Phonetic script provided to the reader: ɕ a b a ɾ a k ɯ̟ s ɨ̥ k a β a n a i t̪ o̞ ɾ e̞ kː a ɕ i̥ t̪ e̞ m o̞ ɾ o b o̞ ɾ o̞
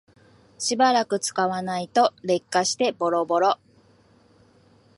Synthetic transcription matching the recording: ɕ i b a ɾ a k ɯ̟ t͡s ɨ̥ k a β a n a i t̪ o̞ ɾ e̞ kː a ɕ i̥ t̪ e̞ b o̞ ɾ o b o̞ ɾ o̞